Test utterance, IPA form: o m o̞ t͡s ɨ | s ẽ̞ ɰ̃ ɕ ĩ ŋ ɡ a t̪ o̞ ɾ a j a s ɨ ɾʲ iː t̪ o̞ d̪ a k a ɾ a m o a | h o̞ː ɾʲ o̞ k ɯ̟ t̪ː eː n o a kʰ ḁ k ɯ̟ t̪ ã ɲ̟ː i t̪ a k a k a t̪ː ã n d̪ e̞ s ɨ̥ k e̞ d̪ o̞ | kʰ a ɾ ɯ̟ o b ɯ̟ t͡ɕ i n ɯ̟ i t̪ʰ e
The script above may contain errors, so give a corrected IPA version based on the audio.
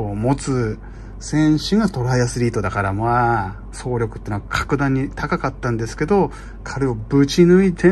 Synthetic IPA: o m o̞ t͡s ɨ | s ẽ̞ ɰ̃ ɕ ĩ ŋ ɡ a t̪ o̞ ɾ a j a s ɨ ɾʲ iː t̪ o̞ d̪ a k a ɾ a m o a | s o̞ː ɾʲ o̞ k ɯ̟ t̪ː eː n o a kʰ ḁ k ɯ̟ d̪ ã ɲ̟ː i t̪ a k a k a t̪ː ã n d̪ e̞ s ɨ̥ k e̞ d̪ o̞ | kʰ a ɾ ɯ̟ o b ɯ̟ t͡ɕ i n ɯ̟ i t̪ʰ e